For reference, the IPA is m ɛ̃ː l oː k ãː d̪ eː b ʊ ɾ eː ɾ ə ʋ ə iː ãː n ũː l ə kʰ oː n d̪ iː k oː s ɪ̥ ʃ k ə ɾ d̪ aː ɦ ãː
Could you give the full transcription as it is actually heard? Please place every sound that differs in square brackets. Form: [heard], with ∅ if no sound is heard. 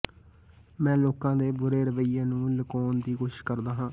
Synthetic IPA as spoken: m ɛ̃ː l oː k ãː d̪ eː b ʊ ɾ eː ɾ ə ʋ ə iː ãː n ũː l ə [k] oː n d̪ iː k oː [ʃ] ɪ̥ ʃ k ə ɾ d̪ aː ɦ ãː